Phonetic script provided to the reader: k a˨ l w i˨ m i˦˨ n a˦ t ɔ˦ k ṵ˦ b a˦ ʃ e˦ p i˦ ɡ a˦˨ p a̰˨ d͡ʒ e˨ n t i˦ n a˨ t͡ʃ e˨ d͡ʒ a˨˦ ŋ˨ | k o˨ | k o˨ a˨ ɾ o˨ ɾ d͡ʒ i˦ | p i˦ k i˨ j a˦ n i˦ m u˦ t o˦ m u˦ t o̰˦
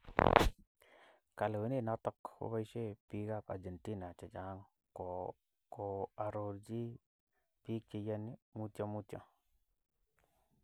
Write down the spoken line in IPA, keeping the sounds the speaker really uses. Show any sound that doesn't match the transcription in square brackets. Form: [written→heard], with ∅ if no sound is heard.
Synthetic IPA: k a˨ l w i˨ [m→n] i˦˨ n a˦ t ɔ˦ k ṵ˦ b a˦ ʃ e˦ p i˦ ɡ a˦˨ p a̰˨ d͡ʒ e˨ n t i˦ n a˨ t͡ʃ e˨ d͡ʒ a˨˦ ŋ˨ | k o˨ | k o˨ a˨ ɾ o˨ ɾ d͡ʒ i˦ | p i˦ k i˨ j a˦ n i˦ m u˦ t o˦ m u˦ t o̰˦